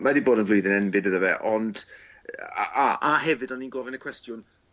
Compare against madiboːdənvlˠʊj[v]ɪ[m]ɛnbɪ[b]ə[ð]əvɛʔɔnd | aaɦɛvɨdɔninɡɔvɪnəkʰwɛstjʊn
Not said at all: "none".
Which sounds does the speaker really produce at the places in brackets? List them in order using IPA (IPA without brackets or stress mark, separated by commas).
ð, n, d, ð